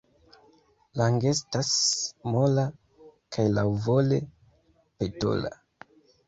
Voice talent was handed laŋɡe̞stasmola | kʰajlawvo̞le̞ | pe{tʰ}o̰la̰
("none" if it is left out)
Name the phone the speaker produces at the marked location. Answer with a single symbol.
t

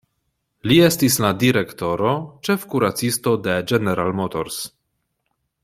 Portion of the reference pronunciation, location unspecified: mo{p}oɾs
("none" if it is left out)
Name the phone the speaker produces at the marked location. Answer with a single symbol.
t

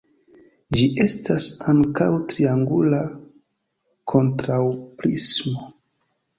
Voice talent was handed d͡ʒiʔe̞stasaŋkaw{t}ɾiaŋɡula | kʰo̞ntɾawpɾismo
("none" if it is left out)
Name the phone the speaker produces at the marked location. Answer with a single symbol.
t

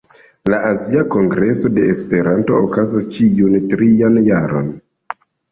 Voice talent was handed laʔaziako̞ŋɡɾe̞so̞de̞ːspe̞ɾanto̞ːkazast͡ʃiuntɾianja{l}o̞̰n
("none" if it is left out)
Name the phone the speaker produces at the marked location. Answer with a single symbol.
ɾ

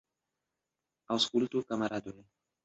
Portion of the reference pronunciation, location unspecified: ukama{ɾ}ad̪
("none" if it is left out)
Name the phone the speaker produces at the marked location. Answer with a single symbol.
ɾ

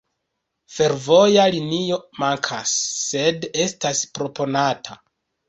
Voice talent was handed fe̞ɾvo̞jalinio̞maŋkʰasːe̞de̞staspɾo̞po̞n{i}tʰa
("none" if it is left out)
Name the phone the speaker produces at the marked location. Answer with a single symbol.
a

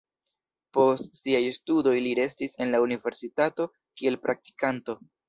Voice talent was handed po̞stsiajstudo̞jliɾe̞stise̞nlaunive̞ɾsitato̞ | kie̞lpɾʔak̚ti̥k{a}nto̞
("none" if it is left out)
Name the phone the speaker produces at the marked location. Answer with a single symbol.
a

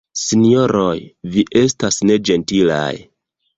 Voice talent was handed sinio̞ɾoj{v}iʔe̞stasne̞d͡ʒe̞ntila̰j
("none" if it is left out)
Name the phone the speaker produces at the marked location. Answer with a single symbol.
v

